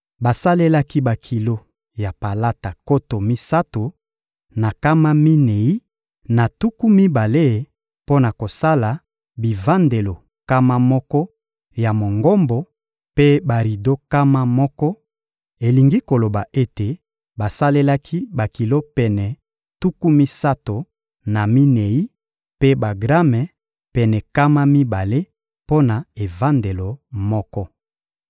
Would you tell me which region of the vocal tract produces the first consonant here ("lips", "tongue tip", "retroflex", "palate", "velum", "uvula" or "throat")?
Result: lips